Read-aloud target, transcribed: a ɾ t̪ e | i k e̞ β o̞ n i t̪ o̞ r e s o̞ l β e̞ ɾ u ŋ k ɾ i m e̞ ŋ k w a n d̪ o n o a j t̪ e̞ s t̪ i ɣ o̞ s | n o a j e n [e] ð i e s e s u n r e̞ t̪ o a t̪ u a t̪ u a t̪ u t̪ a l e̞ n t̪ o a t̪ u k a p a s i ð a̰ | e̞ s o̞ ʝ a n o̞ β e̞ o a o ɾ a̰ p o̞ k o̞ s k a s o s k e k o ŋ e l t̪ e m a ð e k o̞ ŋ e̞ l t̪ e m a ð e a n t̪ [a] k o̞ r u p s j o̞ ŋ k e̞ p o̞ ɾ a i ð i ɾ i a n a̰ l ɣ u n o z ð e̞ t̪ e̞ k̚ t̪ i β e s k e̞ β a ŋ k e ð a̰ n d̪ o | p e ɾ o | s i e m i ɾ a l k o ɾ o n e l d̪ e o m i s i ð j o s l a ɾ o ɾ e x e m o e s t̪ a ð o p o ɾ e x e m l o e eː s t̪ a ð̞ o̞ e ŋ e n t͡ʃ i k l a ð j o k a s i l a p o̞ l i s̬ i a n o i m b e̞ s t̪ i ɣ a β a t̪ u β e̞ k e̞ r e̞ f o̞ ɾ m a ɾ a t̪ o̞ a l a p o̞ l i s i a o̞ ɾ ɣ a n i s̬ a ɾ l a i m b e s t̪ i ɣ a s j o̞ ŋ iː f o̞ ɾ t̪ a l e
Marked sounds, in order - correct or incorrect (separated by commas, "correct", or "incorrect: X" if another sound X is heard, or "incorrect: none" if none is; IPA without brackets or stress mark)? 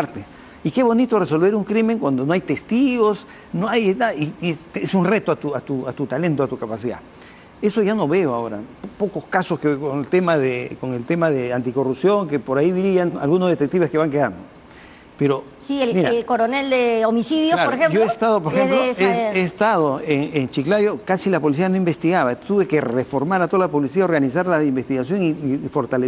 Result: incorrect: a, incorrect: i